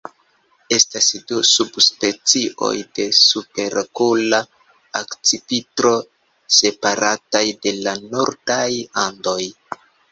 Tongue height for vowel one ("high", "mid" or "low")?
mid